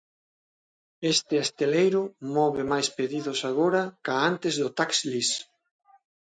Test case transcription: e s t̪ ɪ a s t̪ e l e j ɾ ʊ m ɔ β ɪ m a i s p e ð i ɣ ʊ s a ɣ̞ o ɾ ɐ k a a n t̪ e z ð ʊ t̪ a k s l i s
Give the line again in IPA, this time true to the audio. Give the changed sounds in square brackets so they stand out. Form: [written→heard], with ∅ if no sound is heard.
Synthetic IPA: e s t̪ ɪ a s t̪ e l e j ɾ ʊ m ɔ β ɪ m a [i→j] s p e ð i [ɣ→ð] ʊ s a ɣ̞ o ɾ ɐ k a a n t̪ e z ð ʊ t̪ a k s l i s